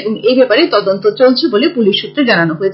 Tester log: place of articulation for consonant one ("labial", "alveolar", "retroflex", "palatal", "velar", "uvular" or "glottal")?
labial